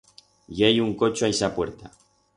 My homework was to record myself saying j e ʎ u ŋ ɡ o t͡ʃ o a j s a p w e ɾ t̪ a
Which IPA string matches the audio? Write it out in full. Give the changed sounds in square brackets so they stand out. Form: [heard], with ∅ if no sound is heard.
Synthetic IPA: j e [j] u ŋ [k] o t͡ʃ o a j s a p w e ɾ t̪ a